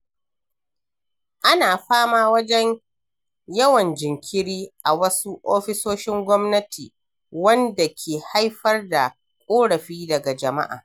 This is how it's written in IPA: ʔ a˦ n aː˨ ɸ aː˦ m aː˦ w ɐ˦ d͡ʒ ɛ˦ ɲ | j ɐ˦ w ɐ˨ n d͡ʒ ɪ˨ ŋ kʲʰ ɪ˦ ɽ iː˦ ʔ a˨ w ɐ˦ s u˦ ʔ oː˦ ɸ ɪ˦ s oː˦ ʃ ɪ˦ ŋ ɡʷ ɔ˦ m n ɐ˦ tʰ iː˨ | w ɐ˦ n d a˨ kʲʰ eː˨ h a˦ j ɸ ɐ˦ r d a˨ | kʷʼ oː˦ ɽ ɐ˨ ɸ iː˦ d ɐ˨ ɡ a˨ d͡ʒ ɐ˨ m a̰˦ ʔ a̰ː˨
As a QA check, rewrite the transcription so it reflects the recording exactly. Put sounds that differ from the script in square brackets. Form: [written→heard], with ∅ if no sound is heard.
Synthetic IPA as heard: ʔ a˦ n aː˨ ɸ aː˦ m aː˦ w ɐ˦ d͡ʒ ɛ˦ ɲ | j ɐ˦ w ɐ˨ n d͡ʒ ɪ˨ ŋ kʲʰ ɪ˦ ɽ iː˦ ʔ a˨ w ɐ˦ s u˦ ʔ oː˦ ɸ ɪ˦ s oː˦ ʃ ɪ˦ ŋ ɡʷ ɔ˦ m n ɐ˦ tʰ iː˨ | w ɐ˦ n d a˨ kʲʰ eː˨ h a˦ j ɸ ɐ˦ r d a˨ | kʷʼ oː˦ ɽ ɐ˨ ɸ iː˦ d ɐ˨ ɡ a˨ d͡ʒ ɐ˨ m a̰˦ ʔ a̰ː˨